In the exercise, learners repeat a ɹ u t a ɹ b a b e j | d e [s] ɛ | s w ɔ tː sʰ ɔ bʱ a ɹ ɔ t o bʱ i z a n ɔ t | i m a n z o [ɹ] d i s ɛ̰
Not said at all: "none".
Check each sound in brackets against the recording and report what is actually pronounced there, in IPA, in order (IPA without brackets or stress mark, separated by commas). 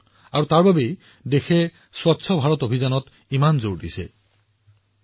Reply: x, ɹ